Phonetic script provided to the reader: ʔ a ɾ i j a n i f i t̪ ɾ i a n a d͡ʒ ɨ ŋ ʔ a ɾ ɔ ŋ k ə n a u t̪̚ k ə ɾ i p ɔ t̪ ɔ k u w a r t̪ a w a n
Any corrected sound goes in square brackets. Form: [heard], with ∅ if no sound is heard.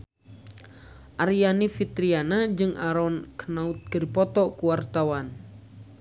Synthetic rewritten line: ʔ a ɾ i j a n i f i t̪ ɾ i a n a d͡ʒ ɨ ŋ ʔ a ɾ ɔ [n] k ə n a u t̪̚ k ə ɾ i p ɔ t̪ ɔ k u w a r t̪ a w a n